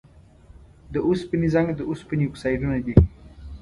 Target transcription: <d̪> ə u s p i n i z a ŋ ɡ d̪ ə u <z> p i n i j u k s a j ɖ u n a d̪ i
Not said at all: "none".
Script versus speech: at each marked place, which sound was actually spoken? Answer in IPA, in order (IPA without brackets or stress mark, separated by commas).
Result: d̪, s